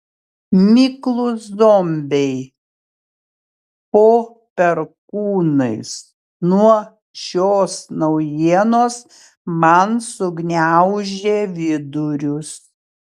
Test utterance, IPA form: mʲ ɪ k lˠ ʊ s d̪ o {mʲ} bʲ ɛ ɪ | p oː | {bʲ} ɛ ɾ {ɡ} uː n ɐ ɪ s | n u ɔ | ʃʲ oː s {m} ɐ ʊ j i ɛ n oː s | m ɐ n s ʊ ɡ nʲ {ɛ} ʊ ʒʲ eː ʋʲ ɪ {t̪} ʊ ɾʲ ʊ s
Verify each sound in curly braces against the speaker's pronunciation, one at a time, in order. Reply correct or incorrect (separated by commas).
correct, incorrect, incorrect, incorrect, incorrect, incorrect